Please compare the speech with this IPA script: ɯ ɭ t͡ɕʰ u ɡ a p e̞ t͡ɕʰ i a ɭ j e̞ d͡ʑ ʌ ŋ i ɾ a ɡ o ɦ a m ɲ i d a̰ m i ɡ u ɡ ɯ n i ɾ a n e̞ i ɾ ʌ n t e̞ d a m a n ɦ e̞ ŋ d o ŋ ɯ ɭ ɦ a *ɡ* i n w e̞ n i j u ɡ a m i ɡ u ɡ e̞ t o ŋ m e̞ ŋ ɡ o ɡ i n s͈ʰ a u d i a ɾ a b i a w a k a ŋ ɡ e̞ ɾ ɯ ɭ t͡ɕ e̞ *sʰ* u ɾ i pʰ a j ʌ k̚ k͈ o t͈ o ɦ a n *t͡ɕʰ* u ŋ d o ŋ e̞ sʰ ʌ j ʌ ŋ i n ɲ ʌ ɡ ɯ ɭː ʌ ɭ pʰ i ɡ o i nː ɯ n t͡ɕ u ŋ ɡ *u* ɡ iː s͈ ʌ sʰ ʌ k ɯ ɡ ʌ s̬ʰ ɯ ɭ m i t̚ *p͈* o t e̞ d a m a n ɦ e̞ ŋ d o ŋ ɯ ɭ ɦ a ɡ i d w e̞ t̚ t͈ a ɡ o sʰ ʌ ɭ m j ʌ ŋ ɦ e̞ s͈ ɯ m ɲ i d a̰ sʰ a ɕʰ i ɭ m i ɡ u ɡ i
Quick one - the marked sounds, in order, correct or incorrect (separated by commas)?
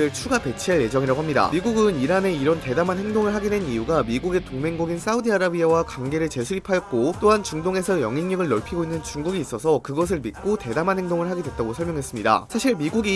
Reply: correct, correct, incorrect, correct, incorrect